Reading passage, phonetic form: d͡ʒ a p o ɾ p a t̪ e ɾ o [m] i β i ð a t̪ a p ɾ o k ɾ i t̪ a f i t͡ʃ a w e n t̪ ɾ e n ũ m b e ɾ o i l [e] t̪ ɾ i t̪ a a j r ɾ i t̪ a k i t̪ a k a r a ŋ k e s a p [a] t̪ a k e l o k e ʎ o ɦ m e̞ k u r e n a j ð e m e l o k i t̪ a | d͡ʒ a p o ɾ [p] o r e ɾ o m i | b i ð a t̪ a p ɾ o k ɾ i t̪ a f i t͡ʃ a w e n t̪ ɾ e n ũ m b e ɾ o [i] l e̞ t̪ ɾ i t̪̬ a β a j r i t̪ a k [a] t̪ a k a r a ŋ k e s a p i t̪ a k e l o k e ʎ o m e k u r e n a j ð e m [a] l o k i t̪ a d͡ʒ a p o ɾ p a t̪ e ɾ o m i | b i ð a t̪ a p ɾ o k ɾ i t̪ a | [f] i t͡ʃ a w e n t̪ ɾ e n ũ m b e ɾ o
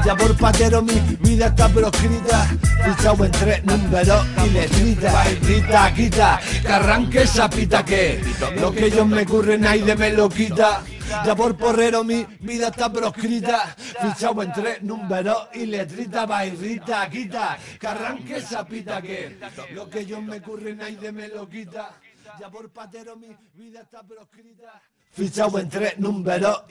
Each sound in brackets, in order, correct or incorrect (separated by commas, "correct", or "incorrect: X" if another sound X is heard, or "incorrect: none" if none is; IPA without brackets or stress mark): correct, correct, incorrect: i, correct, correct, incorrect: i, incorrect: e, correct